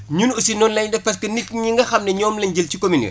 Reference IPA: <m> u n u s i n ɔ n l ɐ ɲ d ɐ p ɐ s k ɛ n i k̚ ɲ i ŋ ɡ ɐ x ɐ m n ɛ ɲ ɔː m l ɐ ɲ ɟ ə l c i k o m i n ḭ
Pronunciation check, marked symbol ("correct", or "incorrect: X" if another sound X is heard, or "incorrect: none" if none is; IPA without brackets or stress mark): incorrect: ɲ